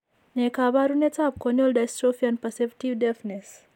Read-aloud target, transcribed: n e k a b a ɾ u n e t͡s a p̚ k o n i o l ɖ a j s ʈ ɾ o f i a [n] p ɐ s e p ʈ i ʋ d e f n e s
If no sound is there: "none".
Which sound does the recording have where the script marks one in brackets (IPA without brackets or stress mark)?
n